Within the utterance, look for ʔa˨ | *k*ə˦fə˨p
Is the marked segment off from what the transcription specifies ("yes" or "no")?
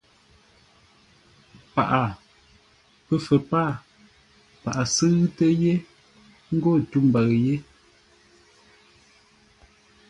yes